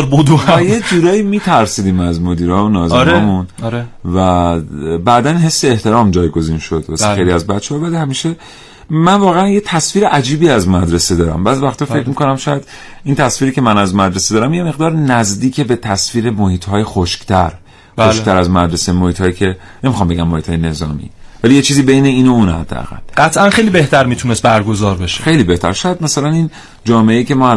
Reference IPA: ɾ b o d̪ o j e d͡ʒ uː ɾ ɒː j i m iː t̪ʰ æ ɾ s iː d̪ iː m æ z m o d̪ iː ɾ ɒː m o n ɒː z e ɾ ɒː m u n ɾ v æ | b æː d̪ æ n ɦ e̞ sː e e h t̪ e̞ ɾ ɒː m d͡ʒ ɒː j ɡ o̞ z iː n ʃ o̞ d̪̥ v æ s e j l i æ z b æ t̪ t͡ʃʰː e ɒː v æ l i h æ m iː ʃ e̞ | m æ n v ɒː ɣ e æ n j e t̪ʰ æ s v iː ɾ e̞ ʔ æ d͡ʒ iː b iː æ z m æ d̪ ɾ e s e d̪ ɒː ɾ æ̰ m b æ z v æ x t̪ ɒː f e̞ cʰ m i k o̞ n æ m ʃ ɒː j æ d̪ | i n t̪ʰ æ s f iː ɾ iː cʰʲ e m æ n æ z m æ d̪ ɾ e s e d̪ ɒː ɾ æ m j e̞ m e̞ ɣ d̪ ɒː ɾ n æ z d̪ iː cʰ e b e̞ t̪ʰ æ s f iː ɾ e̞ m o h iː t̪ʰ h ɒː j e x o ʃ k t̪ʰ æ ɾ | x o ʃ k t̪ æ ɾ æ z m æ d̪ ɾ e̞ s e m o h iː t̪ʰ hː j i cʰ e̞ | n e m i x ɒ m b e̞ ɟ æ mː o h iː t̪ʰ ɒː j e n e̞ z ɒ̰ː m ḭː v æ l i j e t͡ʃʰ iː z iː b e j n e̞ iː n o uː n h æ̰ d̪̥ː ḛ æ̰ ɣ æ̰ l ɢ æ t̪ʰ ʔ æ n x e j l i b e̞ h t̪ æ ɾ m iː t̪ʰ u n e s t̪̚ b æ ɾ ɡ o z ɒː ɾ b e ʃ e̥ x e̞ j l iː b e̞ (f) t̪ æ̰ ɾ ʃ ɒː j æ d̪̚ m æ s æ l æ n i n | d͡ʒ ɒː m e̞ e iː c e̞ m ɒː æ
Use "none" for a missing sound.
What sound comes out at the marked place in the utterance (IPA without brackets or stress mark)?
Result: h